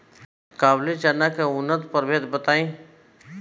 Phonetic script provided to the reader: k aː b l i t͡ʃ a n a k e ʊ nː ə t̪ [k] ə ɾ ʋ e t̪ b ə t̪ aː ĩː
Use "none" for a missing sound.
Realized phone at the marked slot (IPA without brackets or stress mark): p